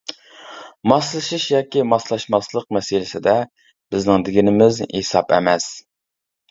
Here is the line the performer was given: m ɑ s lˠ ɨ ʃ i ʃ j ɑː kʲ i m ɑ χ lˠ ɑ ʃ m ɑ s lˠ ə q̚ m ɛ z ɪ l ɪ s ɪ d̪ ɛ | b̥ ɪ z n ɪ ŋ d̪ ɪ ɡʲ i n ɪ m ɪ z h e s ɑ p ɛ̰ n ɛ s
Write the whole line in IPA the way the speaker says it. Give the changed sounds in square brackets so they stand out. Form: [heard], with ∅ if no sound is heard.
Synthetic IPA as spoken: m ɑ s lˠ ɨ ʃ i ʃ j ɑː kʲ i m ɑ [s] lˠ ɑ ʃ m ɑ s lˠ ə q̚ m ɛ [s] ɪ l ɪ s ɪ d̪ ɛ | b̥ ɪ z n ɪ ŋ d̪ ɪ ɡʲ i n ɪ m ɪ z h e s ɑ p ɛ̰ [m] ɛ s